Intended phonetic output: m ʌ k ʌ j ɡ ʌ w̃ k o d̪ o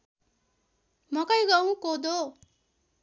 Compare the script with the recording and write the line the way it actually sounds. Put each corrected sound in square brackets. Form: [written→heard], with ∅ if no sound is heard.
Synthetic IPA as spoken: m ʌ k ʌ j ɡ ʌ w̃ k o d̪ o